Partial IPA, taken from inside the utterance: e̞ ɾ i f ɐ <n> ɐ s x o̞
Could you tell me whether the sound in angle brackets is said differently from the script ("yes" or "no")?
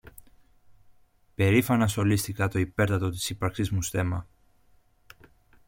no